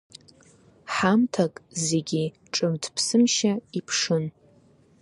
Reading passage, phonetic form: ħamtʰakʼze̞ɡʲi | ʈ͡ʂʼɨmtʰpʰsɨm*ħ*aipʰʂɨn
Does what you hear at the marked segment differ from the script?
yes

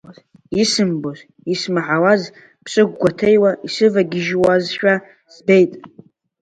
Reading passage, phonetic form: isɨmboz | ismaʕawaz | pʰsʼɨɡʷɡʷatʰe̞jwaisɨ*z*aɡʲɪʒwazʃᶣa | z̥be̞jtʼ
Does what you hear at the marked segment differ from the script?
yes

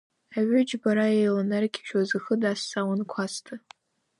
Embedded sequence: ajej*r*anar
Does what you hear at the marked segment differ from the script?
yes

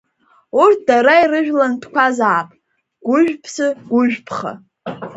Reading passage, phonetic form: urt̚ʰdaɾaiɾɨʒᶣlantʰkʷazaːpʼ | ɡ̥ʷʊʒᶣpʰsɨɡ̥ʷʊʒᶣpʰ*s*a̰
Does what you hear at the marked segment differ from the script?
yes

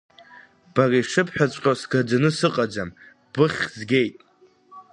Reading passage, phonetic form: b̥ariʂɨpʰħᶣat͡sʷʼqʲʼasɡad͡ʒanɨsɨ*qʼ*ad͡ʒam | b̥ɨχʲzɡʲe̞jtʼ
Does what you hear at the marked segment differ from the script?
no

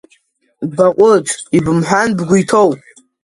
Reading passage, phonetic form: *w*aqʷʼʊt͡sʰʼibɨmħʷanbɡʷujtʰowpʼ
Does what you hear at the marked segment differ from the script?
yes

